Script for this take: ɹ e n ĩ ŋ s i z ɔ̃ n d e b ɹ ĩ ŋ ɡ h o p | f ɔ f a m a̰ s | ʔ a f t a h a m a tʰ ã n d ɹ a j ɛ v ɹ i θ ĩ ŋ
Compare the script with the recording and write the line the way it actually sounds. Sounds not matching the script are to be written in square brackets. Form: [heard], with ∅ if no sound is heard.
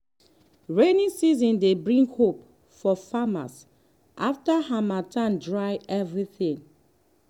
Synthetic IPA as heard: ɹ e n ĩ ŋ s i z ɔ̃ n d e b ɹ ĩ ŋ ɡ h o p | f ɔ f a m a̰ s | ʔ a f t a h a m a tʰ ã n d ɹ a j ɛ v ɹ i θ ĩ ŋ